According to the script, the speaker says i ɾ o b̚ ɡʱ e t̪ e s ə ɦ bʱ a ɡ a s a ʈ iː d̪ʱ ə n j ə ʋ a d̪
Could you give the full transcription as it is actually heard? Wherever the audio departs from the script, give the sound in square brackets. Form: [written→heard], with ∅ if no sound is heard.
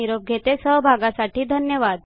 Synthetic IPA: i ɾ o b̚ ɡʱ e t̪ e s ə ɦ bʱ a ɡ a s a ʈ iː d̪ʱ ə n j ə ʋ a d̪